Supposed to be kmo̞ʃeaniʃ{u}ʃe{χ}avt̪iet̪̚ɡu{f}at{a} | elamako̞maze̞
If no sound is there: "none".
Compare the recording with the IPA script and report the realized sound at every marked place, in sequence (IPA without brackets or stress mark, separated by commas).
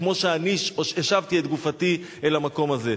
o, ʃ, f, i